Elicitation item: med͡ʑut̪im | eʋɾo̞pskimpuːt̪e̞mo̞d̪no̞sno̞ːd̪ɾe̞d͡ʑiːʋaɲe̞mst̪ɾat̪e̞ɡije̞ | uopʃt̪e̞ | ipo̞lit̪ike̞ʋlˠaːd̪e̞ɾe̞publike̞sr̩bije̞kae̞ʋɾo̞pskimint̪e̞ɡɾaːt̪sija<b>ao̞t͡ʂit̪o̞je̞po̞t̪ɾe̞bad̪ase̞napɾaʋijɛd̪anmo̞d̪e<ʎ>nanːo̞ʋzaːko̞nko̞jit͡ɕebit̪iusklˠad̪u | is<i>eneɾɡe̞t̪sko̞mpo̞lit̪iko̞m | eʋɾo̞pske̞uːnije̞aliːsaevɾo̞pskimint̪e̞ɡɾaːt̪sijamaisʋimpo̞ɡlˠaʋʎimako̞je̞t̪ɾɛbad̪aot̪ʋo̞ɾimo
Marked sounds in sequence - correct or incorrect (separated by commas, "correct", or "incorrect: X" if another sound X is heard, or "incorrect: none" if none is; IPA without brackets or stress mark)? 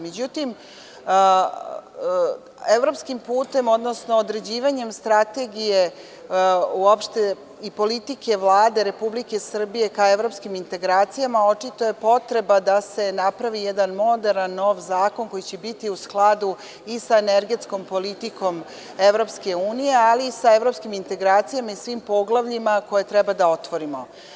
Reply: incorrect: m, incorrect: ɾ, incorrect: a